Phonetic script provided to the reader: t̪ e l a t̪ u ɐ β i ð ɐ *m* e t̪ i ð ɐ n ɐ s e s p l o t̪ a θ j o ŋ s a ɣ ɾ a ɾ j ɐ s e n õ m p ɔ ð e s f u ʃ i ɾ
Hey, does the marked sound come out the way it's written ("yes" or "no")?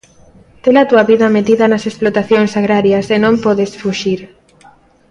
yes